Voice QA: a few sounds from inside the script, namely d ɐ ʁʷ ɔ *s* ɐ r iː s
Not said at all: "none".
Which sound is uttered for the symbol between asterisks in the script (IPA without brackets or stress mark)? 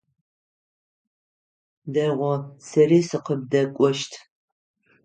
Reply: s